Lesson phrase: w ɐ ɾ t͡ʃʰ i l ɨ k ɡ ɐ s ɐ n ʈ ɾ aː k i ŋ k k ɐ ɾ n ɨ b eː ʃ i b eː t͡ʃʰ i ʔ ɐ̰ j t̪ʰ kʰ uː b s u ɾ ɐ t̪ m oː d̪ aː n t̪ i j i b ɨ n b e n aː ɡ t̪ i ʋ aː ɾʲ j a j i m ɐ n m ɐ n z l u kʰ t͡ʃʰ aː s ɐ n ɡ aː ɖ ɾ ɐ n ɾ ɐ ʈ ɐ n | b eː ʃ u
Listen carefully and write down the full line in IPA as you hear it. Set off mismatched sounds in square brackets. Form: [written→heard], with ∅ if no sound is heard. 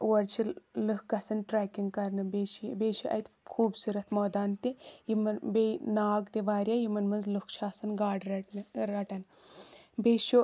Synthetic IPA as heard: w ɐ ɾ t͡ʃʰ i l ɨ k ɡ ɐ s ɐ n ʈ ɾ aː k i ŋ [k→ɡ] k ɐ ɾ n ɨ b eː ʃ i b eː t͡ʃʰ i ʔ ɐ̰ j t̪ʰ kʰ uː b s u ɾ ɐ t̪ m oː d̪ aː n t̪ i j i [b→m] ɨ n b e n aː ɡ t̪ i ʋ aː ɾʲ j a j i m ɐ n m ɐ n z l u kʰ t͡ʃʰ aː s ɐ n ɡ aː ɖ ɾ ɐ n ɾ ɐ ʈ ɐ n | b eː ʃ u